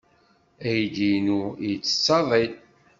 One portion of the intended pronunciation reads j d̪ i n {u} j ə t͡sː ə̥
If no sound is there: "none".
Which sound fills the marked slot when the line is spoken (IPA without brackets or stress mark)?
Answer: u